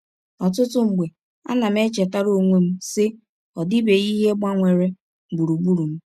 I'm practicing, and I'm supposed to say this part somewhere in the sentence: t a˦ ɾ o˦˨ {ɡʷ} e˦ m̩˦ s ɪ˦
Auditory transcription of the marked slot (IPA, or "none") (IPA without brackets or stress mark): ŋʷ